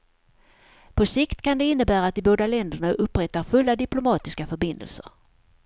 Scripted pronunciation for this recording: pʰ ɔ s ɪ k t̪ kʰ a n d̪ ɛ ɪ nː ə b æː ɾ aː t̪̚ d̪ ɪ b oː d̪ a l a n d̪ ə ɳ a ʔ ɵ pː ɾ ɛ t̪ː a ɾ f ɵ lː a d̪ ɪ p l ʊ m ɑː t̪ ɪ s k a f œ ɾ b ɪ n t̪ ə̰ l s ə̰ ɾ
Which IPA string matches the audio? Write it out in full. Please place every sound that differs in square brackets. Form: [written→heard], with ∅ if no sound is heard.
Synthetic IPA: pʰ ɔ s ɪ k t̪ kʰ a n d̪ ɛ ɪ nː ə b æː ɾ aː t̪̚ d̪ ɪ b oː d̪ a l [a→ɛ] n d̪ ə ɳ a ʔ ɵ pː ɾ ɛ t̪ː a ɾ f ɵ lː a d̪ ɪ p l ʊ m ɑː t̪ ɪ s k a f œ ɾ b ɪ n [t̪→d̪] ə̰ l s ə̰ ɾ